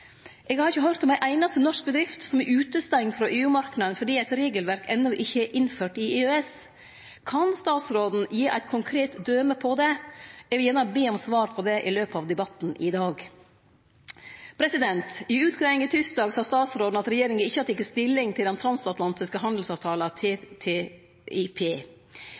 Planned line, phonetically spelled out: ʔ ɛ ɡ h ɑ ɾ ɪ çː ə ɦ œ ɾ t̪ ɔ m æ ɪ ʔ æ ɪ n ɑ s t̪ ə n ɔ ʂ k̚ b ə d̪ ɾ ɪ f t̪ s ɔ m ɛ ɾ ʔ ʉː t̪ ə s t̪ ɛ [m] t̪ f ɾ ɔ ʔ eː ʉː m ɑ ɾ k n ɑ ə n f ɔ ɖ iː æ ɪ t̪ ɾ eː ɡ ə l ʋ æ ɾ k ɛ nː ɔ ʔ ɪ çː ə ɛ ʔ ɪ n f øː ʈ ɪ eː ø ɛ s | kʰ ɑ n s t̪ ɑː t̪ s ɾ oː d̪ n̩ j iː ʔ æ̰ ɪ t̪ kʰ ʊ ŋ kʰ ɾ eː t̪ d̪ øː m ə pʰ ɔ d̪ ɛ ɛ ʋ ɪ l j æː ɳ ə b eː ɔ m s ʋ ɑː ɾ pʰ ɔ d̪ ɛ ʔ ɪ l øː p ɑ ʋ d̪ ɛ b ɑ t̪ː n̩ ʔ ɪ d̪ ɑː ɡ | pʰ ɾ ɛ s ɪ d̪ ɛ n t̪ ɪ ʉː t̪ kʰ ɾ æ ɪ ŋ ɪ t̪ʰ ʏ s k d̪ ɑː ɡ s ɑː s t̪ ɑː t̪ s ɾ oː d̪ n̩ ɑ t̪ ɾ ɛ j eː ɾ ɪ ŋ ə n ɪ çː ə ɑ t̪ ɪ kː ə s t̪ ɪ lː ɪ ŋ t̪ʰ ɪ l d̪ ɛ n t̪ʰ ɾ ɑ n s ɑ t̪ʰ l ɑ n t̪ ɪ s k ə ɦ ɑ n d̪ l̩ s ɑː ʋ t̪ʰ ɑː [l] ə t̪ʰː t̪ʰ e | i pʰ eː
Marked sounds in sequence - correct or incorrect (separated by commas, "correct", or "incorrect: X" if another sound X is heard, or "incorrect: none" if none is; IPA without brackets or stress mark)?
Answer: incorrect: ŋ, correct